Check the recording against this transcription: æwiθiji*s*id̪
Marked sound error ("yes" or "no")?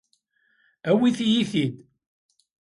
yes